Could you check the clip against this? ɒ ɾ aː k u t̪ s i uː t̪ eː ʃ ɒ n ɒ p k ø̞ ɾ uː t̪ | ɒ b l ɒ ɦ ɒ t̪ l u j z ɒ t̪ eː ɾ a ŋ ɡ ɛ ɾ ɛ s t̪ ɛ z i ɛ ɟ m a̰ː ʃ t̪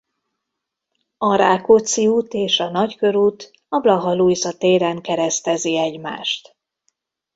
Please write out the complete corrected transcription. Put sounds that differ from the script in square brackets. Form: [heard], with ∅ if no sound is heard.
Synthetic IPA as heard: ɒ ɾ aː k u t̪ s i uː t̪ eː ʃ ɒ n ɒ [c] k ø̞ ɾ uː t̪ | ɒ b l ɒ ɦ ɒ [∅] l u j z ɒ t̪ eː ɾ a ŋ [k] ɛ ɾ ɛ s t̪ ɛ z i ɛ ɟ m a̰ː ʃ t̪